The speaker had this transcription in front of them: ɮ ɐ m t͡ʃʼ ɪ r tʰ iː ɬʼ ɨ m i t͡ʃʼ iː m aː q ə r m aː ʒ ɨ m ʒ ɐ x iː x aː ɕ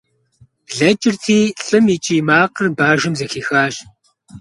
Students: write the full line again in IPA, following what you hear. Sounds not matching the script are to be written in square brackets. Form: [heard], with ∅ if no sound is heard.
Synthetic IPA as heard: ɮ ɐ [∅] t͡ʃʼ ɪ r tʰ iː ɬʼ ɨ m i t͡ʃʼ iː m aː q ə r [b] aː ʒ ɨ m [z] ɐ x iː x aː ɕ

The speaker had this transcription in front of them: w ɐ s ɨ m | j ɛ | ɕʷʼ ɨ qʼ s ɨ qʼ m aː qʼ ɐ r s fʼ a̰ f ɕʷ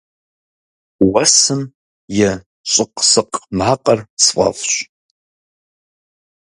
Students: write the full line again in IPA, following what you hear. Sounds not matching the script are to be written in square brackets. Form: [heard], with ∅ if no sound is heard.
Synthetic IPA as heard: w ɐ s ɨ m | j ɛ | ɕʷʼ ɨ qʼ s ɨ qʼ m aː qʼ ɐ r s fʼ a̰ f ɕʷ

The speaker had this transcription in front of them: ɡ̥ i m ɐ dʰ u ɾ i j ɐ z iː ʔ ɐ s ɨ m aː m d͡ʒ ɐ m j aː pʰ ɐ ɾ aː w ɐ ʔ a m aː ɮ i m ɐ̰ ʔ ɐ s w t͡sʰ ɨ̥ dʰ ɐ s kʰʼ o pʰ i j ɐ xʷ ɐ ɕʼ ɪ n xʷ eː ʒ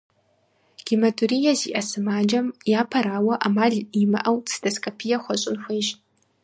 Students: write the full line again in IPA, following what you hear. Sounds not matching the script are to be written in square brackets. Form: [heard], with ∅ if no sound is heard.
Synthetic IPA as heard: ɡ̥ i m ɐ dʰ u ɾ i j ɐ z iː ʔ ɐ s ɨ m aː [∅] d͡ʒ ɐ m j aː pʰ ɐ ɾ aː w ɐ ʔ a m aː ɮ i m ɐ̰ ʔ ɐ [∅] w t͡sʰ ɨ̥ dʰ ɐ s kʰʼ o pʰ i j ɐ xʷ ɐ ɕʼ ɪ n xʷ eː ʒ

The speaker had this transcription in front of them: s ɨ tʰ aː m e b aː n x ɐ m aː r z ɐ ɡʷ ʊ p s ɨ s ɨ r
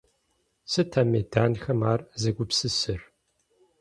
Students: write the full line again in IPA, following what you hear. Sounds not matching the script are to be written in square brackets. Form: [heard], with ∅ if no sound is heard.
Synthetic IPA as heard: s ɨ tʰ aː m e [d] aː n x ɐ m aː r z ɐ ɡʷ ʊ p s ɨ s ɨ r

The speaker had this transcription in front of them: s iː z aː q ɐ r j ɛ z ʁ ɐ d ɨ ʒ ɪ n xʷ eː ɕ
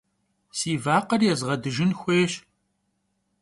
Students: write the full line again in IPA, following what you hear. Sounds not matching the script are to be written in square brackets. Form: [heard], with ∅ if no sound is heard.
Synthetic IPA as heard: s iː [v] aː q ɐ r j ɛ z ʁ ɐ d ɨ ʒ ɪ n xʷ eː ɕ

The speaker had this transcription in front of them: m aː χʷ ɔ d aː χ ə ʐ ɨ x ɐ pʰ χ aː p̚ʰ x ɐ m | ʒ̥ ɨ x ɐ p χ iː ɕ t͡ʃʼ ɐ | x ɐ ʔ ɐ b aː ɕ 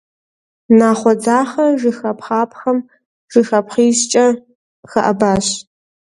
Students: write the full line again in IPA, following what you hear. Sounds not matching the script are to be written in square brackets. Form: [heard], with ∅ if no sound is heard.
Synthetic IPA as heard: [n] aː χʷ ɔ [d͡z] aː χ [ɐ] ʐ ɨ x ɐ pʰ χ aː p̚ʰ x ɐ m | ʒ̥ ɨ x ɐ p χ iː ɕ t͡ʃʼ ɐ | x ɐ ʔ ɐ b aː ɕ

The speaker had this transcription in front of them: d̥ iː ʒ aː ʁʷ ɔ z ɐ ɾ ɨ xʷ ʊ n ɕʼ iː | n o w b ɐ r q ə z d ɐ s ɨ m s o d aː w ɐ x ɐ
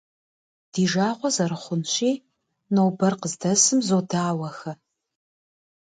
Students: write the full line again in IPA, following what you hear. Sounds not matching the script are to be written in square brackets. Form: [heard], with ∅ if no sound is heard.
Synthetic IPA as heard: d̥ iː ʒ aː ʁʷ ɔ z ɐ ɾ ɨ [χʷ] ʊ n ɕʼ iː | n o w b ɐ r q ə z d ɐ s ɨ m [z] o d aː w ɐ x ɐ

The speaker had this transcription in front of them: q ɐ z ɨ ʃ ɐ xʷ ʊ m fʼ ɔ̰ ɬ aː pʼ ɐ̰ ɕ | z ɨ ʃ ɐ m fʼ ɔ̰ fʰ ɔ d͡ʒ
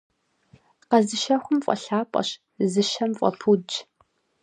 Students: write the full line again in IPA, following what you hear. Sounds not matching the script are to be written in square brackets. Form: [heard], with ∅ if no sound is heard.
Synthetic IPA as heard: q ɐ z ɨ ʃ ɐ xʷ ʊ m fʼ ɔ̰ ɬ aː pʼ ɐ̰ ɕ | z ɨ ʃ ɐ m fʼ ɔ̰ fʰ [u] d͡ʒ

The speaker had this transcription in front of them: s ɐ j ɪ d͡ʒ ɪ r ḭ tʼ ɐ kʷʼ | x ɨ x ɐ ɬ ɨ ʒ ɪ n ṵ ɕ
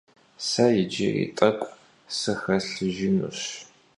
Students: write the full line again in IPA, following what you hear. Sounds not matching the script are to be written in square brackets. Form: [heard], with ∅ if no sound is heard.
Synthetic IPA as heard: s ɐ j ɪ d͡ʒ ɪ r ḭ tʼ ɐ kʷʼ | [s] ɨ x ɐ ɬ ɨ ʒ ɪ n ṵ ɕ

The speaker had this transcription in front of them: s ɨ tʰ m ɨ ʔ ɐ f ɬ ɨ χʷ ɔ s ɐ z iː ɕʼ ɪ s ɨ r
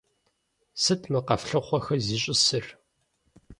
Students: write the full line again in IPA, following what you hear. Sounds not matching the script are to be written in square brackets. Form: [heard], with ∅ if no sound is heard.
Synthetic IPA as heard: s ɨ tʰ m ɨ [q] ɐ f ɬ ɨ χʷ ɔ [x] ɐ z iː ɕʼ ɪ s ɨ r

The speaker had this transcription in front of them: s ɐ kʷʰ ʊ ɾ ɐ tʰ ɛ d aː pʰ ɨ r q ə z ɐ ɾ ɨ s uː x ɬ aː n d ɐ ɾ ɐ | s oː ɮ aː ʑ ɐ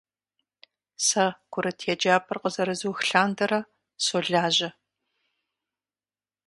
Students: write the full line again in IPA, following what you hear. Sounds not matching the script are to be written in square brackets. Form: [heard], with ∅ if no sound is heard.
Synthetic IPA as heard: s ɐ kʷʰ ʊ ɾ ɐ tʰ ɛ [d͡ʒ] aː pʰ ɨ r q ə z ɐ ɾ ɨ [z] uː x ɬ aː n d ɐ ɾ ɐ | s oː ɮ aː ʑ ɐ

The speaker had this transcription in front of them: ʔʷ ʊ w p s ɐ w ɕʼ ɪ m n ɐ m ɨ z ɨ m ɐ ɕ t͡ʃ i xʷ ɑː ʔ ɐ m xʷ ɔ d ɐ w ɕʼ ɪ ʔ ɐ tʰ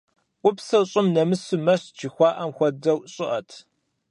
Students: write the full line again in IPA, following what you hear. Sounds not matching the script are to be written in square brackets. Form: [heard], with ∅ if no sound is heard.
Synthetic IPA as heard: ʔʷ ʊ [∅] p s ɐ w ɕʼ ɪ m n ɐ m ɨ [s] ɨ m ɐ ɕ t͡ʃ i xʷ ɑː ʔ ɐ m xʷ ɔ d ɐ w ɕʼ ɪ ʔ ɐ tʰ

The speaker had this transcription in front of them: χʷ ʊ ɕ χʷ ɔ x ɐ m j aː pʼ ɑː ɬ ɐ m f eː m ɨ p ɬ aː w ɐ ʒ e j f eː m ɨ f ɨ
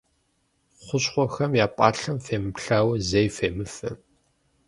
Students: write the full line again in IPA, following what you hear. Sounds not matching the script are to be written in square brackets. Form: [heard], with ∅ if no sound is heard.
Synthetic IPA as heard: χʷ ʊ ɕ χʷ ɔ x ɐ m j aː pʼ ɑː ɬ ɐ m f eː m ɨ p ɬ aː w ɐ [z] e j f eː m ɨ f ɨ

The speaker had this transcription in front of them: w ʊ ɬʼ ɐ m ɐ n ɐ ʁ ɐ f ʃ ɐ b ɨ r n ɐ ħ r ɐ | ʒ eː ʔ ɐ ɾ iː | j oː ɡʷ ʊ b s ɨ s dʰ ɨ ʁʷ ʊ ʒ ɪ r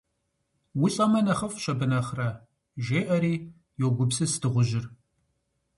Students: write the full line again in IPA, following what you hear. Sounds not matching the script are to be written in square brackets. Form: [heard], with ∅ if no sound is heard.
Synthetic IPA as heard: w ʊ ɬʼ ɐ m ɐ n ɐ [χ] ɐ f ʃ ɐ b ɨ [∅] n ɐ [χ] r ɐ | ʒ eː ʔ ɐ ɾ iː | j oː ɡʷ ʊ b s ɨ s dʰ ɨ ʁʷ ʊ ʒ ɪ r

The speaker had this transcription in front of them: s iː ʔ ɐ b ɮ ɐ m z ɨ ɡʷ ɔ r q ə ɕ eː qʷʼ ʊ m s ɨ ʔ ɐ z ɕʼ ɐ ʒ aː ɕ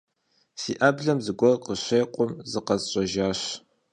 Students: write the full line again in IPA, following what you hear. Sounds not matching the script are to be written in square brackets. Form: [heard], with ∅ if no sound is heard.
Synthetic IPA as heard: s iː ʔ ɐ b ɮ ɐ m z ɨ ɡʷ ɔ r q ə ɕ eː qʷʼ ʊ m [z] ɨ [q] ɐ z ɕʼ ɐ ʒ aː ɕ

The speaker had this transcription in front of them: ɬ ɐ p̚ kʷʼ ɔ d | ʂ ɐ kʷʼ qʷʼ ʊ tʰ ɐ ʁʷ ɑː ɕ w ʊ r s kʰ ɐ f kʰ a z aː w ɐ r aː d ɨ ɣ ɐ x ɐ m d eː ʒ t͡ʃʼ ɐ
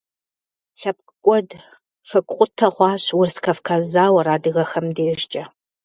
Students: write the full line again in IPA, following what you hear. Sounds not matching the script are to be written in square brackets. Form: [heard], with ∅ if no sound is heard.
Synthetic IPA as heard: ɬ ɐ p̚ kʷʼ ɔ d | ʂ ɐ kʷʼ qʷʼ ʊ tʰ ɐ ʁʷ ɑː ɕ w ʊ r s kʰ ɐ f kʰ a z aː w ɐ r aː d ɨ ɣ ɐ x ɐ m d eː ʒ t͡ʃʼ ɐ

